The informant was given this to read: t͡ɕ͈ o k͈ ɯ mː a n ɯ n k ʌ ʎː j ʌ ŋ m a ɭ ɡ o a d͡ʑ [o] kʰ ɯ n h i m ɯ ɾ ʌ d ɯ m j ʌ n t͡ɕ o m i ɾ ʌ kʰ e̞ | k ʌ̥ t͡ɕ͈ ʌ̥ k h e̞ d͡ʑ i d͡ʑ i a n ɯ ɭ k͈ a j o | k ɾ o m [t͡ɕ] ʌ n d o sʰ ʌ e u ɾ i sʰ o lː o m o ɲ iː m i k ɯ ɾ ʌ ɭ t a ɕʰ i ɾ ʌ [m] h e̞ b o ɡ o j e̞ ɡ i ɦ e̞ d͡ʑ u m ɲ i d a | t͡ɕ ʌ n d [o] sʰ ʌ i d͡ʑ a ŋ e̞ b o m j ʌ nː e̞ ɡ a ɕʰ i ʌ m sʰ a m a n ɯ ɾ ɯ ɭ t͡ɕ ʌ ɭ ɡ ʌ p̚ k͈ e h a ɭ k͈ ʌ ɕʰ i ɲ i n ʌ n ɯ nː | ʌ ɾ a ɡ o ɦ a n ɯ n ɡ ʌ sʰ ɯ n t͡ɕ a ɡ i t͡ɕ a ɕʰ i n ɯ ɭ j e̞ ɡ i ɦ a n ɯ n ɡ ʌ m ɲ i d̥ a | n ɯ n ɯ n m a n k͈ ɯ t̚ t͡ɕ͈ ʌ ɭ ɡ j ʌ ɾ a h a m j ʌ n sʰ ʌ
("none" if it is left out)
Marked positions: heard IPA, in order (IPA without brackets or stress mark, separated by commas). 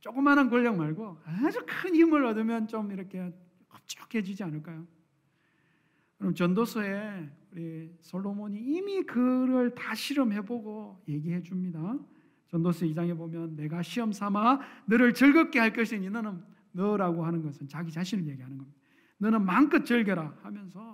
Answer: u, t͡ɕ, m, o